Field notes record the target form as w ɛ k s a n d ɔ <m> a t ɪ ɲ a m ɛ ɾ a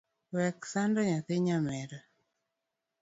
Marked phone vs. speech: incorrect: ɲ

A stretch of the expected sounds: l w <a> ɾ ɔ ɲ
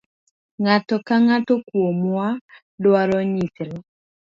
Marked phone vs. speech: correct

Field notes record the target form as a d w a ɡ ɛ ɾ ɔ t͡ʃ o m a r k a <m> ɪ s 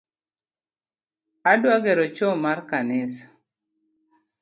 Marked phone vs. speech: incorrect: n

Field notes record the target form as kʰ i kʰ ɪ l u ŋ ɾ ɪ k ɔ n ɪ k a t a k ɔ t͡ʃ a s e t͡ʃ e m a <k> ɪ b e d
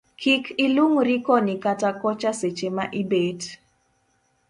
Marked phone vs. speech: incorrect: ʔ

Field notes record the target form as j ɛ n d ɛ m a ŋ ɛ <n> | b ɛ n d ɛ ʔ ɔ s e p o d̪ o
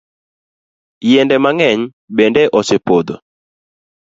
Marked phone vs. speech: incorrect: ɲ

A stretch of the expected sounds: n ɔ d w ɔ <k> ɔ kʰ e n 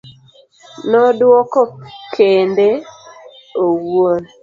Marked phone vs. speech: correct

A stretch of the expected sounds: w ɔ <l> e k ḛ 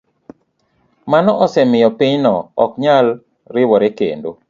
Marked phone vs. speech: incorrect: ɾ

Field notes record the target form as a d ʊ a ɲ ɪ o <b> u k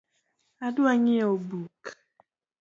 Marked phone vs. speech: correct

